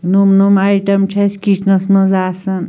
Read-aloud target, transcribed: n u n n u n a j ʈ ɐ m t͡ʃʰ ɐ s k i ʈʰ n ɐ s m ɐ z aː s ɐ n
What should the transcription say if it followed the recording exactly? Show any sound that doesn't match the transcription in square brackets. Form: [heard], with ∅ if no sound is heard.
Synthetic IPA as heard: n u [m] n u [m] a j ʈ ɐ m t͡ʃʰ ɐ s k i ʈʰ n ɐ s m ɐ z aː s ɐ n

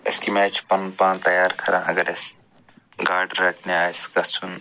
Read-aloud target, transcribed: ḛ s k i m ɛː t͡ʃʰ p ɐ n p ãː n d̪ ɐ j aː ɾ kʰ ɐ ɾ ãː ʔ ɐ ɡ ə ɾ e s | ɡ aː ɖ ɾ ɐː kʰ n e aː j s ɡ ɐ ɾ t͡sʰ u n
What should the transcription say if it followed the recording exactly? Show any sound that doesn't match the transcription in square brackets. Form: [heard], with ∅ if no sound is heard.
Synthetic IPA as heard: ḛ s k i m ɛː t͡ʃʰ p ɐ n p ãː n [t̪] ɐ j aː ɾ kʰ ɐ ɾ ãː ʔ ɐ ɡ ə ɾ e s | ɡ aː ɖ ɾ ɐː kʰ n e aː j s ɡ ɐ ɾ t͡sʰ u n

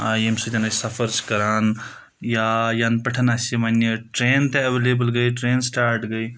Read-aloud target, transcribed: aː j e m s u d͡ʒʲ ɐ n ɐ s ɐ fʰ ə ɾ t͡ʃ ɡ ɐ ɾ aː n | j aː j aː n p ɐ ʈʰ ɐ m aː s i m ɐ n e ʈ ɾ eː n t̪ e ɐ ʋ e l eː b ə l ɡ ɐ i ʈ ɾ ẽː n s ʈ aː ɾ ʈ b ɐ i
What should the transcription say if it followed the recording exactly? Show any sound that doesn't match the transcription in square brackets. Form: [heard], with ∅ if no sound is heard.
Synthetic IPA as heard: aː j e m s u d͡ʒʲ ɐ n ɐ s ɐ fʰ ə ɾ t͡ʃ [k] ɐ ɾ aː n | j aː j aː n p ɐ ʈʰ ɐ [n] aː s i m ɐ n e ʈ ɾ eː n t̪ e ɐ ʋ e l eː b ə l ɡ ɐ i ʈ ɾ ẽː n s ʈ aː ɾ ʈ [ɡ] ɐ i

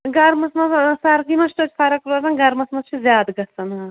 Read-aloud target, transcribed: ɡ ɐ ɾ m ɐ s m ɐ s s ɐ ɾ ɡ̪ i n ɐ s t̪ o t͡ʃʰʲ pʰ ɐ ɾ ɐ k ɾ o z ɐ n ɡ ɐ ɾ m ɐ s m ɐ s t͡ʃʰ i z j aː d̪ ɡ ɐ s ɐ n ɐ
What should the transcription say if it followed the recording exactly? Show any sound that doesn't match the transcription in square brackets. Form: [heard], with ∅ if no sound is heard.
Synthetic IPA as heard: ɡ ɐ ɾ m ɐ s m ɐ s s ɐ ɾ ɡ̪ i [m] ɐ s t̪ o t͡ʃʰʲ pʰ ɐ ɾ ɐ k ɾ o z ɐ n ɡ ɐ ɾ m ɐ s m ɐ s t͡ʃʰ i z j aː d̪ ɡ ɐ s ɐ n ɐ

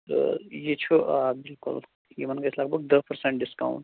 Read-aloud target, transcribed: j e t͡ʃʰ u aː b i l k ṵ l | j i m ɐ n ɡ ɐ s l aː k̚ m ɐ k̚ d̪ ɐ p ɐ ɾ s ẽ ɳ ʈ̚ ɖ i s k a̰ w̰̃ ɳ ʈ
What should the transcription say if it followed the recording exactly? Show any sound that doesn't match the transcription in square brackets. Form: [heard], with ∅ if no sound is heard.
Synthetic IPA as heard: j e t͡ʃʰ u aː b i l k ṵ l | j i m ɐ n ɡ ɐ s l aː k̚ [b] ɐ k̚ d̪ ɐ p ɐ ɾ s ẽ ɳ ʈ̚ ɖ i s k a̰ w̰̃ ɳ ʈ

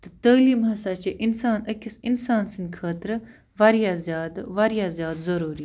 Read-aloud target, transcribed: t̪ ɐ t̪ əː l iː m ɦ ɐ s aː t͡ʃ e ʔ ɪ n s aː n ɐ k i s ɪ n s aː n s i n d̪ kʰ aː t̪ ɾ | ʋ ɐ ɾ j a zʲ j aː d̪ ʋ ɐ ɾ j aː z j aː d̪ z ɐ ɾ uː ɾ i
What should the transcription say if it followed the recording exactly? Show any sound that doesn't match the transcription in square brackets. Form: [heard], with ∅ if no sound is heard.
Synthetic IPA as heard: t̪ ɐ t̪ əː l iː m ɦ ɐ s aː t͡ʃ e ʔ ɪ n s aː n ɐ k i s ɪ n s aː n s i n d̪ kʰ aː t̪ ɾ | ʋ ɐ ɾ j a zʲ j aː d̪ ʋ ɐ ɾ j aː z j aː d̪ z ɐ ɾ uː ɾ i

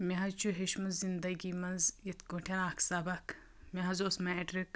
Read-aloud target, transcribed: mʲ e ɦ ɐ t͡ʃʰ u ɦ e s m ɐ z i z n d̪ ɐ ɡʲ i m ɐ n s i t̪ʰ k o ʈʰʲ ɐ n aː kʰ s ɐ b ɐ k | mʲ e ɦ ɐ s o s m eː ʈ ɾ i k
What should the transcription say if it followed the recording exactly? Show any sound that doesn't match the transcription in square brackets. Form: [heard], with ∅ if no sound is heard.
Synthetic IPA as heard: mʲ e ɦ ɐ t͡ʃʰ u ɦ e [ʃ] m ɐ z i [∅] n d̪ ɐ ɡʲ i m ɐ n [z] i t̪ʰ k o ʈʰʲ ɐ n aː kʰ s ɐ b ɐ k | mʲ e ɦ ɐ [z] o s m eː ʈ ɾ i k

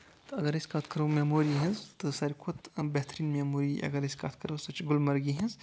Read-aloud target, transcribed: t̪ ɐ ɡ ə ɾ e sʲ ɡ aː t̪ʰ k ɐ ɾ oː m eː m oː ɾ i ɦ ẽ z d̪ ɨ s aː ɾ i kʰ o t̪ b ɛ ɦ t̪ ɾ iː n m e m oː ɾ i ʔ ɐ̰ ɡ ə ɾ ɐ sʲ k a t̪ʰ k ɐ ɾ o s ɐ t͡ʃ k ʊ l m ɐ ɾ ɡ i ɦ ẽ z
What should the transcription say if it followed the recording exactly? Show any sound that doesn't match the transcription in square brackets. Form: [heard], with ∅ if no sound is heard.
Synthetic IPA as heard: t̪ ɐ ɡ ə ɾ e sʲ [k] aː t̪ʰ k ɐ ɾ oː m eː m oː ɾ i ɦ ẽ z [t̪] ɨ s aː ɾ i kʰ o t̪ b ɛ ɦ t̪ ɾ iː n m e m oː ɾ i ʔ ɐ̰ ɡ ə ɾ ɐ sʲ k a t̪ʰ k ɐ ɾ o s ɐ t͡ʃ [ɡ] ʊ l m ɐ ɾ ɡ i ɦ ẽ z

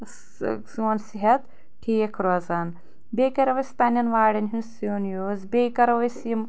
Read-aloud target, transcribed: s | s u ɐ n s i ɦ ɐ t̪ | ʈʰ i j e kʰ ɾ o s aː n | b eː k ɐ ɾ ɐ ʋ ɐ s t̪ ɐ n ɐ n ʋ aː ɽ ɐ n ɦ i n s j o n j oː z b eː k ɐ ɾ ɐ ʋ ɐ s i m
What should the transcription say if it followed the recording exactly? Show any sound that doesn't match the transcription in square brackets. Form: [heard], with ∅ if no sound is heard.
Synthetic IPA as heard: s | s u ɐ n s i ɦ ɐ t̪ | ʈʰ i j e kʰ ɾ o [z] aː n | b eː k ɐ ɾ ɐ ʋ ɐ s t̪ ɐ n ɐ n ʋ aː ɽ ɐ n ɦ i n s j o n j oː z b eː k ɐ ɾ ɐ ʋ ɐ s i m

